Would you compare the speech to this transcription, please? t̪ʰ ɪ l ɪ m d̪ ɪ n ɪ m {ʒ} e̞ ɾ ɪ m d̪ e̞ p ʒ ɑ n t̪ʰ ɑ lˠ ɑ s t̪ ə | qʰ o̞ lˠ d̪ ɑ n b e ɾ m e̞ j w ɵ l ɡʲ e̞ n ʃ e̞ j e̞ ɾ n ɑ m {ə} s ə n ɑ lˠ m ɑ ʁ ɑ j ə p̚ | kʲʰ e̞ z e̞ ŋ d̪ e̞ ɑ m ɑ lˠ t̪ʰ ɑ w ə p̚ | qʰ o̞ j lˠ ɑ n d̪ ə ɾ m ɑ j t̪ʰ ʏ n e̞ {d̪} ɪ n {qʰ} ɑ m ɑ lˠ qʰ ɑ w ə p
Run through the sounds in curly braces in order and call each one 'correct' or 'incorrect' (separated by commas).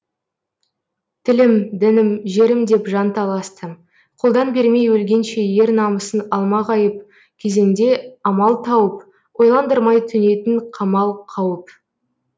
correct, correct, incorrect, correct